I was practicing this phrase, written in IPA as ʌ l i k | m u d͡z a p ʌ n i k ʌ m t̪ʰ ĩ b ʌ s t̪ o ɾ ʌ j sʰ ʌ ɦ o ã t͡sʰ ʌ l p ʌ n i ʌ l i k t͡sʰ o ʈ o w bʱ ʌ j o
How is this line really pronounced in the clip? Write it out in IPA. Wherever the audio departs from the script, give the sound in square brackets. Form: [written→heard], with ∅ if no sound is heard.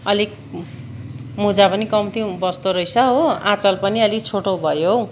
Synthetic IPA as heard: ʌ l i k | m u d͡z a p ʌ n i k ʌ m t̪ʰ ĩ b ʌ s t̪ o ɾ ʌ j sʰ ʌ ɦ o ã [t͡sʰ→t͡s] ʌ l p ʌ n i ʌ l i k t͡sʰ o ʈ o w bʱ ʌ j o